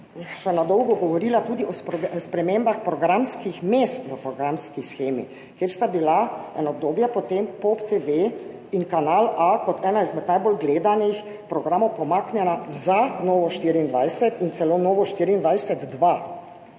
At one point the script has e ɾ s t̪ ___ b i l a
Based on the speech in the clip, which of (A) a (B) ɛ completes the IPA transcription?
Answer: A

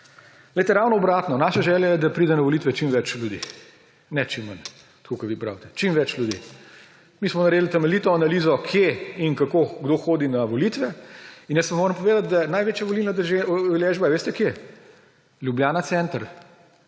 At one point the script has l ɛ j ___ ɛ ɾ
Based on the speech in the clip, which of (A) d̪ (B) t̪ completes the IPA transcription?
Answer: B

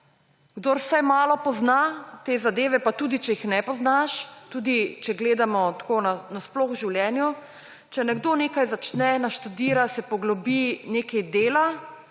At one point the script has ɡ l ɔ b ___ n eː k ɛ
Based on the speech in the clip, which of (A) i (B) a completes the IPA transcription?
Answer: A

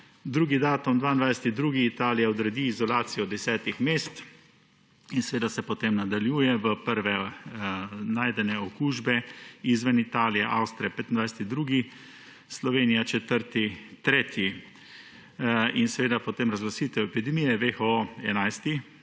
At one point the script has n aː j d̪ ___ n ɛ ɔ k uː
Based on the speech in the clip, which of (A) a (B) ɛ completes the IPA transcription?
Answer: B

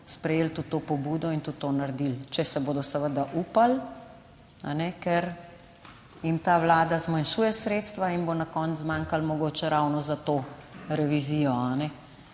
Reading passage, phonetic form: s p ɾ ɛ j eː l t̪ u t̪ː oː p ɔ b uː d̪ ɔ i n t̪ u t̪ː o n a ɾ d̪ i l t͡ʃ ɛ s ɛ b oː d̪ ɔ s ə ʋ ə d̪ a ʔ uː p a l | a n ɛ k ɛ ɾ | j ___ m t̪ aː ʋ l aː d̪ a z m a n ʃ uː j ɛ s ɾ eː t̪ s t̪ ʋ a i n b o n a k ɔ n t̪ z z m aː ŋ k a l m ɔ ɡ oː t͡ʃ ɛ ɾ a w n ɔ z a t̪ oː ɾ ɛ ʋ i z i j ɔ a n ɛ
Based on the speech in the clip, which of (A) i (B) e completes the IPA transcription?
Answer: A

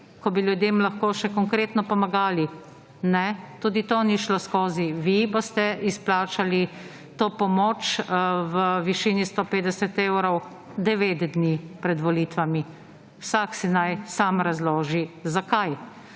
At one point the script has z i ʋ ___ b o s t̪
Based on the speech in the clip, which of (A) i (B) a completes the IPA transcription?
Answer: A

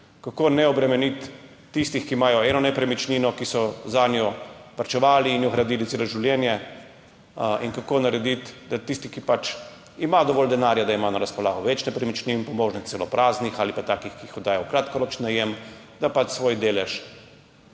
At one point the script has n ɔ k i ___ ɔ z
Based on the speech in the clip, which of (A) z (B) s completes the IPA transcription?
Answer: B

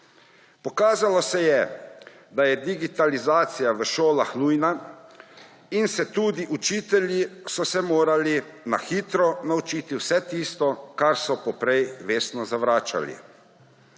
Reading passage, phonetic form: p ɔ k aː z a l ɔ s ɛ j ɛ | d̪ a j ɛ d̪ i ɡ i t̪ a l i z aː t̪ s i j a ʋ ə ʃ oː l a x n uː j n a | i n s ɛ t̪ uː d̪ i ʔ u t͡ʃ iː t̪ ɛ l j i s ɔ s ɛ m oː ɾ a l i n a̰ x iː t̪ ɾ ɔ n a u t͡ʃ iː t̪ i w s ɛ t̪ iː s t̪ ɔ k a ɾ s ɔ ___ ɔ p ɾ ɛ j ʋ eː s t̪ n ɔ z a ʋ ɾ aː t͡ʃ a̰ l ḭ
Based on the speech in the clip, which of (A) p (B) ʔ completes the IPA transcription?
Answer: A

